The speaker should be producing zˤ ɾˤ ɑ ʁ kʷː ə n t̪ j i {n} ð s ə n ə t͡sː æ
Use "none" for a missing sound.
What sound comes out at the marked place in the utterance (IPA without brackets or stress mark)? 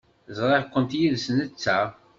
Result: none